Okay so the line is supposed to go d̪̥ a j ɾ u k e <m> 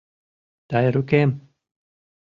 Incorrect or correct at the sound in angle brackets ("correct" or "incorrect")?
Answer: correct